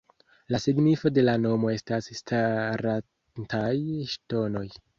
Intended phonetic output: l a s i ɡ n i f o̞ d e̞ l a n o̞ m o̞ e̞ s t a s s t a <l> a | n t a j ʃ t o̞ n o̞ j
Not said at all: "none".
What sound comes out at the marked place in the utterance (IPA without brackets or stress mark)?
ɾ